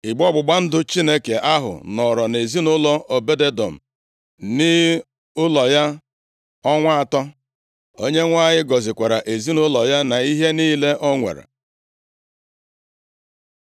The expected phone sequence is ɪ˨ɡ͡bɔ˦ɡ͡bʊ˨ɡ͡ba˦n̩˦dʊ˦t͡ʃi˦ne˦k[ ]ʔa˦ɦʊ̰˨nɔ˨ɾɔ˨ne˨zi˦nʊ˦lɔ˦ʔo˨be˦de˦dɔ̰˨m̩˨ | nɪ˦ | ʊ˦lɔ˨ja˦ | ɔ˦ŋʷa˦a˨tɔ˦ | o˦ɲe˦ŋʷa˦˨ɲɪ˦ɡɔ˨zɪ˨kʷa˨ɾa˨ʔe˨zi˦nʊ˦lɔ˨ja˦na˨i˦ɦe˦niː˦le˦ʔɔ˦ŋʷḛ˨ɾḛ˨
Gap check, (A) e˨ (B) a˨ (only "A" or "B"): A